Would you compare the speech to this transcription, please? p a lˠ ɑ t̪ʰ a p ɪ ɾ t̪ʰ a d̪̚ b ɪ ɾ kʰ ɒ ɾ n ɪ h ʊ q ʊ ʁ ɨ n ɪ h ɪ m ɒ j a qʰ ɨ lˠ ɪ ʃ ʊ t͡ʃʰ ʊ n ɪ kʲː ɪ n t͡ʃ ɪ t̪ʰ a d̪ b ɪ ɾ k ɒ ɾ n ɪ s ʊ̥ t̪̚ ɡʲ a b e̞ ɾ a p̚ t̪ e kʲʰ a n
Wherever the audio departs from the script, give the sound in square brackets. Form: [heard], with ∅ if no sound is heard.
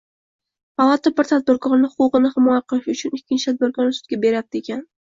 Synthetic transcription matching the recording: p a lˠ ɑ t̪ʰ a [b] ɪ ɾ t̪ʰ a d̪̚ b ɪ ɾ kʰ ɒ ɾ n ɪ h ʊ q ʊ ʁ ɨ n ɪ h ɪ m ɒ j a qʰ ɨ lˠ ɪ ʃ ʊ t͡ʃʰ ʊ n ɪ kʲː ɪ n t͡ʃ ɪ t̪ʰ a d̪ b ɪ ɾ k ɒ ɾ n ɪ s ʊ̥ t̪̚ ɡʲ a b e̞ ɾ a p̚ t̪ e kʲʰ a n